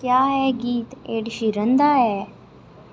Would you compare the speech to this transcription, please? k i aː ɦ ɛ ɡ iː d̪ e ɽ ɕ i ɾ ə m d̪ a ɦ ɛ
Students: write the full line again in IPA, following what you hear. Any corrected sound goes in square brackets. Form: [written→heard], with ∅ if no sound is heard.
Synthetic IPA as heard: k [i→j] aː ɦ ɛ ɡ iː [d̪→t̪] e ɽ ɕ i ɾ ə [m→n] d̪ a ɦ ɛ

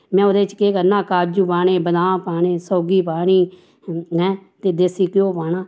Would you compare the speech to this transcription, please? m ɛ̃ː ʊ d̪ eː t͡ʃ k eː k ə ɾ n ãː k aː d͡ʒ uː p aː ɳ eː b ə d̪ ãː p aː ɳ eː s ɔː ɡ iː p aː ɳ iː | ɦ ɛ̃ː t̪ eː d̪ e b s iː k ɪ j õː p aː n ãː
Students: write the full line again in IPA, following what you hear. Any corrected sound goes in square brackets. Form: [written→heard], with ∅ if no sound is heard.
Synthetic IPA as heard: m ɛ̃ː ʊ d̪ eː t͡ʃ k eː k ə ɾ n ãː k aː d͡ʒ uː p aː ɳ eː b ə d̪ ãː p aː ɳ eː s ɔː ɡ iː p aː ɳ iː | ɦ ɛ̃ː t̪ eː d̪ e [b→∅] s iː k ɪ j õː p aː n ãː

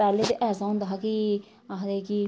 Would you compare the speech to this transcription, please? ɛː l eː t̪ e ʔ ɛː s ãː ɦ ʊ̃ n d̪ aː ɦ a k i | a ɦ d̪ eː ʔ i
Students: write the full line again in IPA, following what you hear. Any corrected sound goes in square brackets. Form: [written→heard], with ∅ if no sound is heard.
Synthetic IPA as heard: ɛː l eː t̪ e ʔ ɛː s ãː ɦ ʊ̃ n d̪ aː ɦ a k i | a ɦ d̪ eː [ʔ→k] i

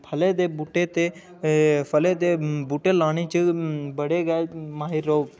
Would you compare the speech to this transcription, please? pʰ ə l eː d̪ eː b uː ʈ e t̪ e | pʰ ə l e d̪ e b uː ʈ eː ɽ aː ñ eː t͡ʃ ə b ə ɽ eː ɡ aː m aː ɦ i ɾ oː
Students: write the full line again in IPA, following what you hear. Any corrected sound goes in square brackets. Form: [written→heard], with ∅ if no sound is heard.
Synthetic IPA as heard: pʰ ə l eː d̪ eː b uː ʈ e t̪ e | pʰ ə l e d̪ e b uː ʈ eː [ɽ→l] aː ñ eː t͡ʃ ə b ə ɽ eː ɡ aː m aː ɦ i ɾ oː

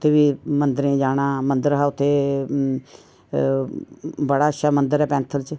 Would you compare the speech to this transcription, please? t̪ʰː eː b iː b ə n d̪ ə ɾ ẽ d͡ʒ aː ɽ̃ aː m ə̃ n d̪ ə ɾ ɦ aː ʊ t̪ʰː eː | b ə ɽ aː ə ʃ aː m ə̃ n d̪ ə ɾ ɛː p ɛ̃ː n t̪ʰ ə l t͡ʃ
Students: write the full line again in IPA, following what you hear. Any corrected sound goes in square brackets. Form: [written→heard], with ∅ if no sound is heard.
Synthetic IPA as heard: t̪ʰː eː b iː [b→m] ə n d̪ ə ɾ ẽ d͡ʒ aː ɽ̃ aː m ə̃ n d̪ ə ɾ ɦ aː ʊ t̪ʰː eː | b ə ɽ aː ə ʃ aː m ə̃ n d̪ ə ɾ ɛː p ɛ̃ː n t̪ʰ ə l t͡ʃ

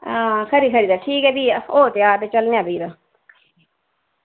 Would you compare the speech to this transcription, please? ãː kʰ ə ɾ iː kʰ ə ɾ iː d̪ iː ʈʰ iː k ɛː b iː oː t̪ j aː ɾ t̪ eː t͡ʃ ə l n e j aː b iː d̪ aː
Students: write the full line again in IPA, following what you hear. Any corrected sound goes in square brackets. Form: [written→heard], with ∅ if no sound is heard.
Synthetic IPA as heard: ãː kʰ ə ɾ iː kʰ ə ɾ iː d̪ [iː→aː] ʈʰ iː k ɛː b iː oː t̪ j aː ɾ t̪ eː t͡ʃ ə l n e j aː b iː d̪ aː

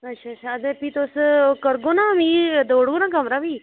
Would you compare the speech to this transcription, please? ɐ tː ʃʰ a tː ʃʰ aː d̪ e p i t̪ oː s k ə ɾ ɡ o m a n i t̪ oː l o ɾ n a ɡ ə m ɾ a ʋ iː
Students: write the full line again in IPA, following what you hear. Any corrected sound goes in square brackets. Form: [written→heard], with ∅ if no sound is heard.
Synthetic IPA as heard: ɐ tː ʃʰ a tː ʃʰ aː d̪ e p i t̪ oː s k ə ɾ ɡ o [m→n] a [n→m] i [t̪→d̪] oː [l→ɽ] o [ɾ→∅] n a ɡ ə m ɾ a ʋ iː

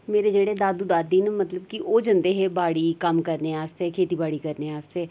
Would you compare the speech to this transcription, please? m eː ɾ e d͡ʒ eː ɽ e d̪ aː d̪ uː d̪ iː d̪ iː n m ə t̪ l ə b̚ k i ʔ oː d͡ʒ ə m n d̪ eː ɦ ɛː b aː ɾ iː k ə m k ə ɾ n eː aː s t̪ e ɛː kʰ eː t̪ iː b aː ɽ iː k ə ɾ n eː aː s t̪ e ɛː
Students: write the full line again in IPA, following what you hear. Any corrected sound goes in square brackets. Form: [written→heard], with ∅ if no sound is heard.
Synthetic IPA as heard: m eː ɾ e d͡ʒ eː ɽ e d̪ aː d̪ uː d̪ [iː→aː] d̪ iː n m ə t̪ l ə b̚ k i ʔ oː d͡ʒ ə [m→∅] n d̪ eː ɦ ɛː b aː [ɾ→ɽ] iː k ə m k ə ɾ n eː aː s t̪ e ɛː kʰ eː t̪ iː b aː ɽ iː k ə ɾ n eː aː s t̪ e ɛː

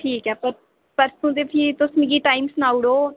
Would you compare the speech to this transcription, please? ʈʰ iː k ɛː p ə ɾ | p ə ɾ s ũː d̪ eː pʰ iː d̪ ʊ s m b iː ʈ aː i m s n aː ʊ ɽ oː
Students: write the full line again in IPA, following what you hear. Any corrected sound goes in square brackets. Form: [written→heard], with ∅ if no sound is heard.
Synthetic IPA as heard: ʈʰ iː k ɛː p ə ɾ | p ə ɾ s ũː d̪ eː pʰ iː [d̪→t̪] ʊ s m [b→ɡ] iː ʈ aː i m s n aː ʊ ɽ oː

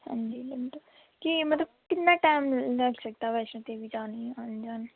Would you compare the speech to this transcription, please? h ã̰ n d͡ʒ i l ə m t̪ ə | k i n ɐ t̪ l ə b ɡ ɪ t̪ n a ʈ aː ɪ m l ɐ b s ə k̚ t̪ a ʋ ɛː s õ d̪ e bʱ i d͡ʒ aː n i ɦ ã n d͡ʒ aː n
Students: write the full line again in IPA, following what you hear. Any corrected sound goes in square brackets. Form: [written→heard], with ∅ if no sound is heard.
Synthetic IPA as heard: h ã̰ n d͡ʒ i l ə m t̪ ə | k i [n→m] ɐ t̪ l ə b [ɡ→k] ɪ t̪ n a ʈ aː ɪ m l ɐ [b→ɡ] s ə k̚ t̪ a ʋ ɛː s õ [d̪→t̪] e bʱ i d͡ʒ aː n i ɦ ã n d͡ʒ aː n

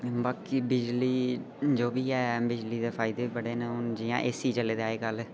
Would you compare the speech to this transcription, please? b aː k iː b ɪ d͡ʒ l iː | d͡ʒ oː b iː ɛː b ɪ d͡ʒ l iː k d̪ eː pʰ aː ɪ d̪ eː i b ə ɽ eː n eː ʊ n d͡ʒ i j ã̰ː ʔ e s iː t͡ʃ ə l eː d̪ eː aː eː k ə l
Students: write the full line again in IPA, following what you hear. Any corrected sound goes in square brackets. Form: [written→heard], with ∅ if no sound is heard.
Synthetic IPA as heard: b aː k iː b ɪ d͡ʒ l iː | d͡ʒ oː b iː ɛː b ɪ d͡ʒ l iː [k→∅] d̪ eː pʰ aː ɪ d̪ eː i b ə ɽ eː n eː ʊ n d͡ʒ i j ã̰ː ʔ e s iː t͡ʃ ə l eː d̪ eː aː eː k ə l

